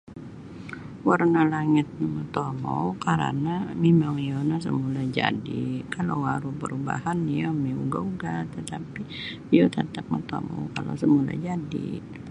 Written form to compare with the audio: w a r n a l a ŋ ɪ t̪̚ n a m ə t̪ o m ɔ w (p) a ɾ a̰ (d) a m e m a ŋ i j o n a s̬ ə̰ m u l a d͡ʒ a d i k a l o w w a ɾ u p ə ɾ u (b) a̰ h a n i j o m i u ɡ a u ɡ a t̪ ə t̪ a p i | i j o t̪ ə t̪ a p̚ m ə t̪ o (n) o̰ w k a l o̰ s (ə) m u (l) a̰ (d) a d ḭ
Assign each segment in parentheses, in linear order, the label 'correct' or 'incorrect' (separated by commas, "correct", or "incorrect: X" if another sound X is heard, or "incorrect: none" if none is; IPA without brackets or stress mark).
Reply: incorrect: k, incorrect: n, correct, incorrect: m, correct, correct, incorrect: d͡ʒ